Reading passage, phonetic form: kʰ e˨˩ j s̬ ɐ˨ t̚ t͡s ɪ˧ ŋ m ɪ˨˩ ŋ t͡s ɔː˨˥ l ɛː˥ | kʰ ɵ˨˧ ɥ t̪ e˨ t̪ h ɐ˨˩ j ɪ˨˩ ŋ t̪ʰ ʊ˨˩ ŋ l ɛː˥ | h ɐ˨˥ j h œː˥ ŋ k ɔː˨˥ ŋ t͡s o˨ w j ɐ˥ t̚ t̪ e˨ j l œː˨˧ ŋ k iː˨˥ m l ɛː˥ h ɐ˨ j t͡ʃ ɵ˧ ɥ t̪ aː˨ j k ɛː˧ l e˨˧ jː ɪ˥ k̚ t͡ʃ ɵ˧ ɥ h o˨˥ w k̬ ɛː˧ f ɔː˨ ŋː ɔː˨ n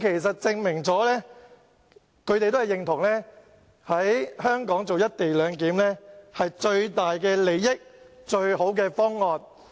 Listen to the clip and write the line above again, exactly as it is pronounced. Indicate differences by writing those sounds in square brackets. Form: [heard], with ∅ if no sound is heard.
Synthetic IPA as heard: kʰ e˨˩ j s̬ ɐ˨ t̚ t͡s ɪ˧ ŋ m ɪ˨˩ ŋ t͡s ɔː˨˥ l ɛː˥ | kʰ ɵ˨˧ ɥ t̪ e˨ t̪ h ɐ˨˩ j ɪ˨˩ ŋ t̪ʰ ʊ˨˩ ŋ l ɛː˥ | h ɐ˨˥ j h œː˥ ŋ k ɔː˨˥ ŋ t͡s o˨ w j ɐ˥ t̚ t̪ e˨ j l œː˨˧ ŋ k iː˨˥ m l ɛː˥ h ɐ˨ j t͡ʃ ɵ˧ ɥ t̪ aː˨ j k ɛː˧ l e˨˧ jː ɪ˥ k̚ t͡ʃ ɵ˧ ɥ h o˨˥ w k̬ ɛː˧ f [ɔː˥] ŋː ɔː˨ n

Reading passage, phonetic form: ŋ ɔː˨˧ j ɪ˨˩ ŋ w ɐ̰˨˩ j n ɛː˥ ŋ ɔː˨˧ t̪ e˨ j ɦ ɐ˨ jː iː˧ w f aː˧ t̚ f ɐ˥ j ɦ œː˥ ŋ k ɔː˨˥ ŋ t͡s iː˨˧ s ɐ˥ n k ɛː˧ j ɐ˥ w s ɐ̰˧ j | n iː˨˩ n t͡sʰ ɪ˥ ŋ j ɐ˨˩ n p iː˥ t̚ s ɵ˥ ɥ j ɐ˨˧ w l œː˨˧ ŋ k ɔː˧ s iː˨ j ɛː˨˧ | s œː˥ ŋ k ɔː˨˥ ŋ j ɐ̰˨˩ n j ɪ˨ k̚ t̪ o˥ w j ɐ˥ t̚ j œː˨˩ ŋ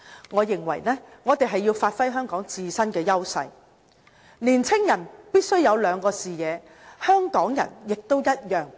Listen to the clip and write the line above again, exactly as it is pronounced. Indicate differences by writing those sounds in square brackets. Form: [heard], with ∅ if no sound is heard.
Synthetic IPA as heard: ŋ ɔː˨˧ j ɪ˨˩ ŋ w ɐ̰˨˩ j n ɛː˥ ŋ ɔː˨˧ t̪ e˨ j ɦ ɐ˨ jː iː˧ w f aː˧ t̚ f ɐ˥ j ɦ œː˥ ŋ k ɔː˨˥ ŋ t͡s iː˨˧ s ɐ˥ n k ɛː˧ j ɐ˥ w s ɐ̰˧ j | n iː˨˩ n t͡sʰ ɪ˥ ŋ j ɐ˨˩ n p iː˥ t̚ s ɵ˥ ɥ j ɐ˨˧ w l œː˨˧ ŋ k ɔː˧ s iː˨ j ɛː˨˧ | [h] œː˥ ŋ k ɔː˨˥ ŋ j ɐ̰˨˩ n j ɪ˨ k̚ t̪ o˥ w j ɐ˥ t̚ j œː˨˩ ŋ

